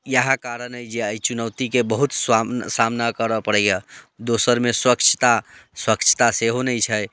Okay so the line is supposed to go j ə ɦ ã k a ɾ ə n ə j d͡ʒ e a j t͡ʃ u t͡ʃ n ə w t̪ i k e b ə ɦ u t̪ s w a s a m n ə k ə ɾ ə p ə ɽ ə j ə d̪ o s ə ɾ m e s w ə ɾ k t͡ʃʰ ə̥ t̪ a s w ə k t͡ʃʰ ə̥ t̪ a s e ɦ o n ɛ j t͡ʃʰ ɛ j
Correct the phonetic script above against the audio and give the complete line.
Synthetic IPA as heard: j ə ɦ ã k a ɾ ə n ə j d͡ʒ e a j t͡ʃ u n ə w t̪ i k e b ə ɦ u t̪ s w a s a m n a k ə ɾ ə p ə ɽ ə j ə d̪ o s ə ɾ m e s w ə k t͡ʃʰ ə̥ t̪ a s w ə k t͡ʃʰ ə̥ t̪ a s e ɦ o n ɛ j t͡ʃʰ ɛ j